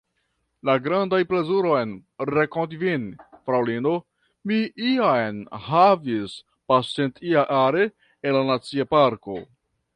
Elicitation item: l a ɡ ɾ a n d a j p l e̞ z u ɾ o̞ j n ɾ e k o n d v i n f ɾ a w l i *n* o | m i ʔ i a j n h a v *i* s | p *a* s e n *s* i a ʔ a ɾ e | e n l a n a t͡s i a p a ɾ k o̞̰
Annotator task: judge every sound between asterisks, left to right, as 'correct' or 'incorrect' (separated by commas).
correct, correct, correct, incorrect